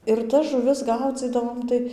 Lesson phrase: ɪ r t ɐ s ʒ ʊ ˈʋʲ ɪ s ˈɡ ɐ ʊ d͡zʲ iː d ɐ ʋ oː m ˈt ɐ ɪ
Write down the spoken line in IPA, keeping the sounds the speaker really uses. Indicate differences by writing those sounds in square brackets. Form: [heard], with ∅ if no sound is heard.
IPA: ɪ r t ɐ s ʒ ʊ ˈʋʲ ɪ s ˈɡ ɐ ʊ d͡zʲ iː d ɐ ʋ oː m ˈt ɐ ɪ

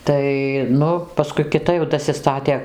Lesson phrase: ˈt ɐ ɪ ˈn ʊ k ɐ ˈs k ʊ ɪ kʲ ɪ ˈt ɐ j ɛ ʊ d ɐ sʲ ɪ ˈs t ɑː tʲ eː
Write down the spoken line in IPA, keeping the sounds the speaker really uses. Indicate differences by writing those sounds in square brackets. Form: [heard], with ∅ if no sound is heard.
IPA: ˈt ɐ ɪ ˈn ʊ [p] ɐ ˈs k ʊ ɪ kʲ ɪ ˈt ɐ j ɛ ʊ d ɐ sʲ ɪ ˈs t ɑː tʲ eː

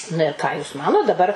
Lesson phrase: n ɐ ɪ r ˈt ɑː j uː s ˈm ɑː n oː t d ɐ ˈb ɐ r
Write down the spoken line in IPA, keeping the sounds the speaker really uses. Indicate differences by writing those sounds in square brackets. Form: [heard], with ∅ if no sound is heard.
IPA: n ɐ ɪ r [ˈk] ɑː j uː s ˈm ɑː n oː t d ɐ ˈb ɐ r

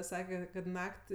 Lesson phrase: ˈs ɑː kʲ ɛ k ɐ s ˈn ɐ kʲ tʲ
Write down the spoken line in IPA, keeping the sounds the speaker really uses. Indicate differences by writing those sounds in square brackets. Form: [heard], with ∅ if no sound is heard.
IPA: ˈs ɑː kʲ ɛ k ɐ [t] ˈn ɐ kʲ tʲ

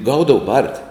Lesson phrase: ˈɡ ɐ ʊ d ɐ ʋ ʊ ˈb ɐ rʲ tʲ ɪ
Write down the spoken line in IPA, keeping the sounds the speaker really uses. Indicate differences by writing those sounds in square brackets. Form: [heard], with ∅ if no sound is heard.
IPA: ˈɡ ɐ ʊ d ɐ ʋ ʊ ˈb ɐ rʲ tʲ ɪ

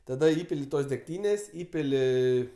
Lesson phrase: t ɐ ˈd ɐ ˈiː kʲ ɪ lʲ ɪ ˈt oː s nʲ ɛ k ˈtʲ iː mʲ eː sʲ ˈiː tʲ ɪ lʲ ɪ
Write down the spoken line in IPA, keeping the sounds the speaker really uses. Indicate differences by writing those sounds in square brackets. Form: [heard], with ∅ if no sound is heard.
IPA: t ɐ ˈd ɐ ˈiː [pʲ] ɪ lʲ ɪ ˈt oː s [dʲ] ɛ k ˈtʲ iː [nʲ] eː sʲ ˈiː [pʲ] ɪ lʲ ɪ

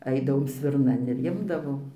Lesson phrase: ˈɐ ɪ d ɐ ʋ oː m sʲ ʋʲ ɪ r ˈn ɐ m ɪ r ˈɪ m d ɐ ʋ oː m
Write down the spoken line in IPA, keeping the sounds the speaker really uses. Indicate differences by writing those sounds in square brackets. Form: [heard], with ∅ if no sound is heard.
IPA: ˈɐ ɪ d ɐ ʋ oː m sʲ ʋʲ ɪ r ˈn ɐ [n] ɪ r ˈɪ m d ɐ ʋ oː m

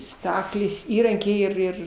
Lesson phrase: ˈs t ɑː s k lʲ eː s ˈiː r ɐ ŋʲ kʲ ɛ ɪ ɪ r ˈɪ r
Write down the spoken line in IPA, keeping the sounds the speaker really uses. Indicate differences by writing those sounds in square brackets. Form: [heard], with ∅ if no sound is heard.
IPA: ˈs t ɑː [∅] k lʲ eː s ˈiː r ɐ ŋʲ kʲ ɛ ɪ ɪ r ˈɪ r

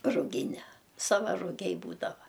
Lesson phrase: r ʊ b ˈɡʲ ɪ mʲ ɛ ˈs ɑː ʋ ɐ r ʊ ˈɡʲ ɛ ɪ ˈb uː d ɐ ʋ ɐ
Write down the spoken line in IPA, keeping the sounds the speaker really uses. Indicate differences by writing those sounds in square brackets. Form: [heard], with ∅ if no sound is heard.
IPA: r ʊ [∅] ˈɡʲ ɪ [nʲ] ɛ ˈs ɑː ʋ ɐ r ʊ ˈɡʲ ɛ ɪ ˈb uː d ɐ ʋ ɐ

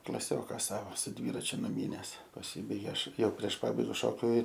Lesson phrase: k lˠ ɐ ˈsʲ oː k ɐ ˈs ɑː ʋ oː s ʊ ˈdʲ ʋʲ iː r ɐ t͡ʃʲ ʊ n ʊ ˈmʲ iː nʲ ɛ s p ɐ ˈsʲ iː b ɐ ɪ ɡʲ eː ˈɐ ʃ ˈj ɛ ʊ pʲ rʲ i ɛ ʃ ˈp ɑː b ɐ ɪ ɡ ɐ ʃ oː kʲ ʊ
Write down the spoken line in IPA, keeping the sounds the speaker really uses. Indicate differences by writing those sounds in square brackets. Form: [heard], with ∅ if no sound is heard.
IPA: k lˠ ɐ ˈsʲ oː k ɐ ˈs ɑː ʋ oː s ʊ ˈdʲ ʋʲ iː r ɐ t͡ʃʲ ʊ n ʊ ˈmʲ iː nʲ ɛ s p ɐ ˈsʲ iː b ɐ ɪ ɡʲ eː ˈɐ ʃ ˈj ɛ ʊ pʲ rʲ i ɛ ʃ ˈp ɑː b ɐ ɪ ɡ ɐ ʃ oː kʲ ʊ

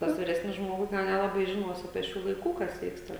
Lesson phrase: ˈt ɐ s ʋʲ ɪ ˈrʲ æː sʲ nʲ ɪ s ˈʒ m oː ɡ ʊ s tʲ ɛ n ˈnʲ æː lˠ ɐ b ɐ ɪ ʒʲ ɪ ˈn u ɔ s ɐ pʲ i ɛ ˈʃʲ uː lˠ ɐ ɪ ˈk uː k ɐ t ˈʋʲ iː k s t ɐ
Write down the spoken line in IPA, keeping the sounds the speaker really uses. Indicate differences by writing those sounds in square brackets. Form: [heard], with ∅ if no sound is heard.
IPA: ˈt ɐ s ʋʲ ɪ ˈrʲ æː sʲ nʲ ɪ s ˈʒ m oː ɡ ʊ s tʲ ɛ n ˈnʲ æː lˠ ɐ b ɐ ɪ ʒʲ ɪ ˈn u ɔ s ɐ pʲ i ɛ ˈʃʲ uː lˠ ɐ ɪ ˈk uː k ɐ [s] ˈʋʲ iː k s t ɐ

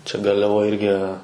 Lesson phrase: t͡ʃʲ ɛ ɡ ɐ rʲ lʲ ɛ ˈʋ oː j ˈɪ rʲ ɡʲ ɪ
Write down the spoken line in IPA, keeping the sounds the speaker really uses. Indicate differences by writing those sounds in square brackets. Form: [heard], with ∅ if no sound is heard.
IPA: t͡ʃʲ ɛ ɡ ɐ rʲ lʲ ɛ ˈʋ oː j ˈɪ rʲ ɡʲ ɪ

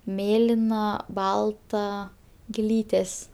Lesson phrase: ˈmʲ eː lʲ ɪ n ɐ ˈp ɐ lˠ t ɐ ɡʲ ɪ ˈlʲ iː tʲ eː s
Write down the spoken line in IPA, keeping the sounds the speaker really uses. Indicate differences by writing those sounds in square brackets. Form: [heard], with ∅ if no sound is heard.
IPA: ˈmʲ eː lʲ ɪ n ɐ [ˈb] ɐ lˠ t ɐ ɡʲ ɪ ˈlʲ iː tʲ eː s

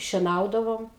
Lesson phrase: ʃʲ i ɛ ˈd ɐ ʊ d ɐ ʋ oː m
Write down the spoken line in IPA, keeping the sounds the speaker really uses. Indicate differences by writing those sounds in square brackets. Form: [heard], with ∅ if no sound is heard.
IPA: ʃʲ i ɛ [ˈn] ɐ ʊ d ɐ ʋ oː m

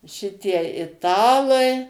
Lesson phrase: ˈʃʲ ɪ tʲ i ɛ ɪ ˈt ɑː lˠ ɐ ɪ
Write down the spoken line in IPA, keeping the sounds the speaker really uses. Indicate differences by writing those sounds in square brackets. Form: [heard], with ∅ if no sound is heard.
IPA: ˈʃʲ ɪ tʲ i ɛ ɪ ˈt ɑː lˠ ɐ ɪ

